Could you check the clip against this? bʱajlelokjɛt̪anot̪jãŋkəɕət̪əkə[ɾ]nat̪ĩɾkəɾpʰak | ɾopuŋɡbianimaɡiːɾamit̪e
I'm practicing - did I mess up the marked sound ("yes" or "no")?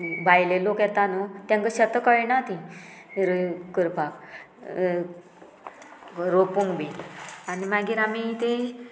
yes